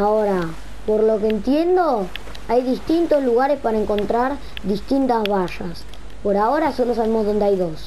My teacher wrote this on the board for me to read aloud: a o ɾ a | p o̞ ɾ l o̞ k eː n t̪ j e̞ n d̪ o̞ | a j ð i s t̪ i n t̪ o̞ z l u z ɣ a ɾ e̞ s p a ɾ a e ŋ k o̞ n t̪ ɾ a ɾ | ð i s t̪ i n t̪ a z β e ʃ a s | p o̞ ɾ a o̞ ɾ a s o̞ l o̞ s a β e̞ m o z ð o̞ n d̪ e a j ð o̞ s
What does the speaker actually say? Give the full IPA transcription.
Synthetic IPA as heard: a o ɾ a | p o̞ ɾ l o̞ k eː n t̪ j e̞ n d̪ o̞ | a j ð i s t̪ i n t̪ o̞ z l u ɣ a ɾ e̞ s p a ɾ a e ŋ k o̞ n t̪ ɾ a ɾ | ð i s t̪ i n t̪ a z β a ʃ a s | p o̞ ɾ a o̞ ɾ a s o̞ l o̞ s a β e̞ m o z ð o̞ n d̪ e a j ð o̞ s